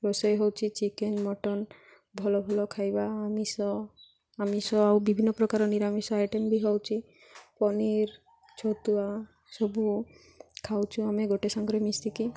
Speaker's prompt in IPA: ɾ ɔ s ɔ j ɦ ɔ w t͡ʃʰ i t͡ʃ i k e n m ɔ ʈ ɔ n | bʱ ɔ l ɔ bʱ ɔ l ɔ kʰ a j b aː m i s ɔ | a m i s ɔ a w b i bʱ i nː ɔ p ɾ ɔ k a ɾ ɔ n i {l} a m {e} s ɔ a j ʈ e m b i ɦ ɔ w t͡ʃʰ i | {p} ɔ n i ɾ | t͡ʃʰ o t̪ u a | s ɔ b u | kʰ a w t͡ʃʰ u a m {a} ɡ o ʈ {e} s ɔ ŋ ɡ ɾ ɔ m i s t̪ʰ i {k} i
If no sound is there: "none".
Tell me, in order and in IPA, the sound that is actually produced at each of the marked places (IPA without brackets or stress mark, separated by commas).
ɾ, i, p, e, e, k